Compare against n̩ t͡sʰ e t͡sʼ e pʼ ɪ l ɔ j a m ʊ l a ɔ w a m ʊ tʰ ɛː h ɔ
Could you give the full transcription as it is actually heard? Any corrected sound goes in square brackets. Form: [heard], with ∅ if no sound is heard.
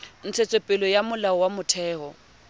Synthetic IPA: n̩ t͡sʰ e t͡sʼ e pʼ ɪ l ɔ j a m ʊ l a ɔ w a m ʊ tʰ ɛː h ɔ

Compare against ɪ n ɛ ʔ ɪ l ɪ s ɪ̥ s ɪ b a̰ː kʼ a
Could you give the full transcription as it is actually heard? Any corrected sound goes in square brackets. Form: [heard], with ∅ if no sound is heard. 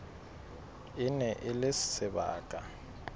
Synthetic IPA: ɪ n ɛ ʔ ɪ l ɪ s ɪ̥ s ɪ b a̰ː kʼ a

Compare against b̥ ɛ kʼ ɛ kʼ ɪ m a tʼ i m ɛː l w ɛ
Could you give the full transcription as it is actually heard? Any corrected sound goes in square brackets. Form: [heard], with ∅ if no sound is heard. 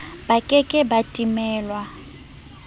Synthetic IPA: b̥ [a] kʼ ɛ kʼ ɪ [b] a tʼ i m ɛː l w [a]

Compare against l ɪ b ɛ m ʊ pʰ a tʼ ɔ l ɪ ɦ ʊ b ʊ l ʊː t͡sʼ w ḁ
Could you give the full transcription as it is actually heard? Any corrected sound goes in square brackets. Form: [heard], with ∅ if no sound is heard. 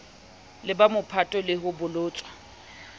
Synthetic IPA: l ɪ b [a] m ʊ pʰ a tʼ ɔ l ɪ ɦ ʊ b ʊ l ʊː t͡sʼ w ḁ

